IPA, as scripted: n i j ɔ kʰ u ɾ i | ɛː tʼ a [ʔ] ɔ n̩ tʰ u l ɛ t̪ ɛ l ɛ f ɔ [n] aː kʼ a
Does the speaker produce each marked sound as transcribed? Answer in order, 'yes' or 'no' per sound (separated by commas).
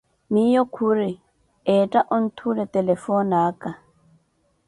yes, yes